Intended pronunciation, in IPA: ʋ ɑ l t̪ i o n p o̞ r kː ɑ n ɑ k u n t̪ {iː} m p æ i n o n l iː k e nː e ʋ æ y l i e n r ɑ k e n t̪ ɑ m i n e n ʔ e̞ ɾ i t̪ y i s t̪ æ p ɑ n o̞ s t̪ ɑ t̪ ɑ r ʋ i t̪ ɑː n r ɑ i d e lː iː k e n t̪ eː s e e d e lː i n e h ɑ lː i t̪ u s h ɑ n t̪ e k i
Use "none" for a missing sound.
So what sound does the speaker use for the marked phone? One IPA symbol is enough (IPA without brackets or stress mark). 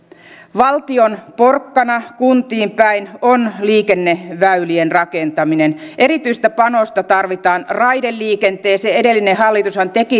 iː